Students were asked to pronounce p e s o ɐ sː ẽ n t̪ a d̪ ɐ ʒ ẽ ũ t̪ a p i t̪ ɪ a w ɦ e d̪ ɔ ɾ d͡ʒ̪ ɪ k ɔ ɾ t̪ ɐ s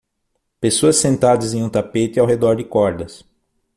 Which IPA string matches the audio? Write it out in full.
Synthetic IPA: p e s o ɐ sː ẽ n t̪ a d̪ ɐ z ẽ ũ t̪ a p e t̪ ɪ a w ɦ e d̪ ɔ ɾ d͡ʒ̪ ɪ k ɔ ɾ d̪ ɐ s